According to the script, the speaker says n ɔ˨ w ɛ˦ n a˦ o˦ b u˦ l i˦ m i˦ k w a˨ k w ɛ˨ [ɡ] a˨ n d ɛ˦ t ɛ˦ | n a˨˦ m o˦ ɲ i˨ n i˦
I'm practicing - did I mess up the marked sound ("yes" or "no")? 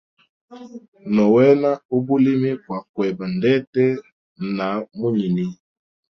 yes